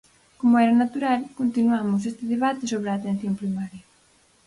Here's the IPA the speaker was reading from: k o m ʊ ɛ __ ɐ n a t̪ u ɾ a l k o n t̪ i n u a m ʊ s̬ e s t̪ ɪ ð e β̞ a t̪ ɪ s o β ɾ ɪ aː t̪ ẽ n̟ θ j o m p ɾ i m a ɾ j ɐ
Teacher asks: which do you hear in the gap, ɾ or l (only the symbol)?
ɾ